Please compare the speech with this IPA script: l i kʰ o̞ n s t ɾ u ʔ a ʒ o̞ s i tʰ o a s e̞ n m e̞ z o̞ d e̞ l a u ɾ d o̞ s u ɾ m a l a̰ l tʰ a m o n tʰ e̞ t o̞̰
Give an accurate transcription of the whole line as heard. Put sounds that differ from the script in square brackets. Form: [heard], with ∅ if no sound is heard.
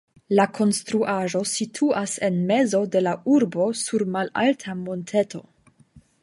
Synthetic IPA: l [a] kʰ o̞ n s t ɾ u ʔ a ʒ o̞ s i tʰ [u] a s e̞ n m e̞ z o̞ d e̞ l a u ɾ [b] o̞ s u ɾ m a l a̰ l tʰ a m o n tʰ e̞ t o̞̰